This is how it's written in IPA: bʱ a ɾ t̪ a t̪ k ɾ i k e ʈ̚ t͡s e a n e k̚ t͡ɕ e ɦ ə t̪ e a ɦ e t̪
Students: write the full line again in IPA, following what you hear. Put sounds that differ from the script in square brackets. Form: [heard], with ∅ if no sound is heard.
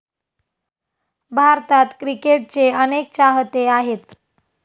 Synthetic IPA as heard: bʱ a ɾ t̪ a t̪ k ɾ i k e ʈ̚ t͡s e [ə] n e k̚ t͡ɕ [a] ɦ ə t̪ e a ɦ e t̪